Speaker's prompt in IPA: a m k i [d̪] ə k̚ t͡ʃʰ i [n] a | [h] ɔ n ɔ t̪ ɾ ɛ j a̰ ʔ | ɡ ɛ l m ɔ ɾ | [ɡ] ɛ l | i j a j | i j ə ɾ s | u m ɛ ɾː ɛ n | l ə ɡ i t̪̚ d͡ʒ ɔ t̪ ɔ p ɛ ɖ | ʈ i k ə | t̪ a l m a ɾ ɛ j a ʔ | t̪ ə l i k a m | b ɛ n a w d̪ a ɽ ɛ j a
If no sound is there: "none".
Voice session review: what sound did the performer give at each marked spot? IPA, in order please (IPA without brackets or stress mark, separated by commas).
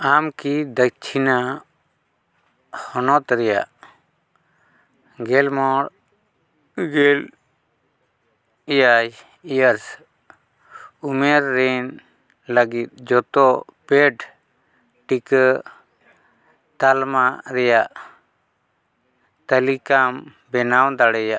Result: d̪, n, h, ɡ